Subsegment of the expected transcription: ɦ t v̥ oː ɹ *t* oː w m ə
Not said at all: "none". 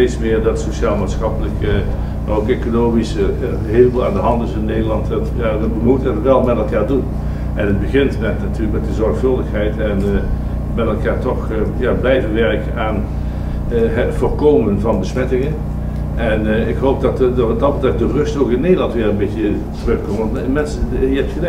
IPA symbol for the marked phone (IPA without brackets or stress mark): k